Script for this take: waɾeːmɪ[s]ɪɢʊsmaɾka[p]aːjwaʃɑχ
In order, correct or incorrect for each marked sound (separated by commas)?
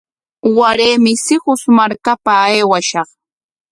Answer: correct, correct